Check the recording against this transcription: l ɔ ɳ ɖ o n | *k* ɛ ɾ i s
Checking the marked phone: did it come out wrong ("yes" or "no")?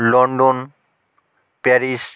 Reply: yes